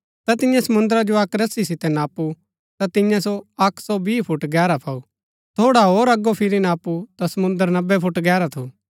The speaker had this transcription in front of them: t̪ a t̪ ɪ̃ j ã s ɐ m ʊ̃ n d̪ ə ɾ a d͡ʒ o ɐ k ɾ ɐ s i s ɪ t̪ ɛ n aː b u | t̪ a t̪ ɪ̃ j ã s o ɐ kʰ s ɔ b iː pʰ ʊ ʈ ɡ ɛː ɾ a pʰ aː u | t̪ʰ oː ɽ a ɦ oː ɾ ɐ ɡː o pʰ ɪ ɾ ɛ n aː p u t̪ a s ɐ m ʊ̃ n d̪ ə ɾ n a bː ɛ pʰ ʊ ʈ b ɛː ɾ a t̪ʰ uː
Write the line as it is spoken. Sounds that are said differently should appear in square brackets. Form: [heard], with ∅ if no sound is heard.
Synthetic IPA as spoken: t̪ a t̪ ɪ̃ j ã s ɐ m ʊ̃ n d̪ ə ɾ a d͡ʒ o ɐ k ɾ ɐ s i s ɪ t̪ ɛ n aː [p] u | t̪ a t̪ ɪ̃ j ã s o ɐ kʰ s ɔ b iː pʰ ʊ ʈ ɡ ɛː ɾ a pʰ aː u | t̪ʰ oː ɽ a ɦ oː ɾ ɐ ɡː o pʰ ɪ ɾ [i] n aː p u t̪ a s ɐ m ʊ̃ n d̪ ə ɾ n [ɐ] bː ɛ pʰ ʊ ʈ [ɡ] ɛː ɾ a t̪ʰ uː

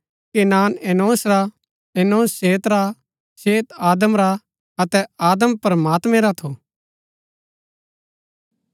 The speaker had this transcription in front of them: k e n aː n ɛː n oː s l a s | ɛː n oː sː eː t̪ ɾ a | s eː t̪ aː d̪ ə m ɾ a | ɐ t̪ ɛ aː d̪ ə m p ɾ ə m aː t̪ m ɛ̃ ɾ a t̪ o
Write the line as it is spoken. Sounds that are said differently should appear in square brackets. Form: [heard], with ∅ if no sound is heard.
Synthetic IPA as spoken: k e n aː n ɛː n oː s [ɾ] a [∅] | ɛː n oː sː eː t̪ ɾ a | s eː t̪ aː d̪ ə m ɾ a | ɐ t̪ ɛ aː d̪ ə m p ɾ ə m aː t̪ m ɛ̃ ɾ a [t̪ʰ] o

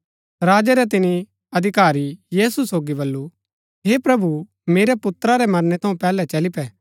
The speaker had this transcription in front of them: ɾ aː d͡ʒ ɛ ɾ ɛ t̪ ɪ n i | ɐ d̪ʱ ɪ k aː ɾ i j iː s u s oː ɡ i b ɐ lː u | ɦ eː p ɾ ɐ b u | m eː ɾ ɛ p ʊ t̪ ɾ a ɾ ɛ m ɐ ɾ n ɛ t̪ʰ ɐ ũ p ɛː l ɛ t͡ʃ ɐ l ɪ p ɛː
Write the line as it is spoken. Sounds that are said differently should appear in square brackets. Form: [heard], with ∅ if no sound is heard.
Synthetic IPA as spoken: ɾ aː d͡ʒ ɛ ɾ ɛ t̪ ɪ n i | ɐ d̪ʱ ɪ k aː ɾ i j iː s u s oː ɡ i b ɐ lː u | ɦ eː p ɾ ɐ b u | m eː ɾ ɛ p ʊ t̪ ɾ a ɾ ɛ m ɐ ɾ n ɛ t̪ʰ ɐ ũ p ɛː l ɛ t͡ʃ ɐ l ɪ p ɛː

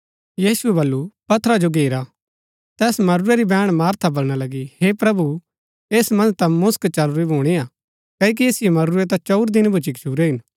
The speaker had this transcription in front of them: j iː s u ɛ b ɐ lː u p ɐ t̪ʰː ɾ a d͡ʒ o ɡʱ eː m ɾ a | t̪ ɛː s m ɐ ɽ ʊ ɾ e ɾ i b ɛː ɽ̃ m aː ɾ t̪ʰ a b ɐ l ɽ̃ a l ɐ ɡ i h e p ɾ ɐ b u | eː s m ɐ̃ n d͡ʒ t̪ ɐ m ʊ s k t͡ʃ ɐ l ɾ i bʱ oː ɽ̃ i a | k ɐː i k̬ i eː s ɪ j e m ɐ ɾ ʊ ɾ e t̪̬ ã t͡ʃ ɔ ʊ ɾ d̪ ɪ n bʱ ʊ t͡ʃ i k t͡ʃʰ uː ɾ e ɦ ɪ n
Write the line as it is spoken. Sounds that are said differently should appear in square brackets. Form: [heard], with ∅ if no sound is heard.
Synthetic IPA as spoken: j iː s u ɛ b ɐ lː u p ɐ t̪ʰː ɾ a d͡ʒ o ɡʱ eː [∅] ɾ a | t̪ ɛː s m ɐ [ɾ] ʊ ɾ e ɾ i b ɛː ɽ̃ m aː ɾ t̪ʰ a b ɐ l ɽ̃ a l ɐ ɡ i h e p ɾ ɐ b u | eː s m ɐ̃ n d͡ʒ t̪ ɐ m ʊ s k t͡ʃ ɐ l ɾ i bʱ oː ɽ̃ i a | k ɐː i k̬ i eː s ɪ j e m ɐ ɾ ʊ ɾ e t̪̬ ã t͡ʃ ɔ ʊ ɾ d̪ ɪ n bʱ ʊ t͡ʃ i k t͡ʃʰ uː ɾ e ɦ ɪ n

